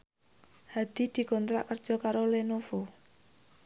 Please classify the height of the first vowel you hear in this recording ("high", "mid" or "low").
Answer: low